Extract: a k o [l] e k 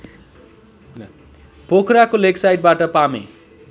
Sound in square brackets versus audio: correct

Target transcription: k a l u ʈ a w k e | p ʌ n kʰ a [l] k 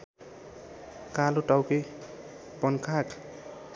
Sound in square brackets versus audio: incorrect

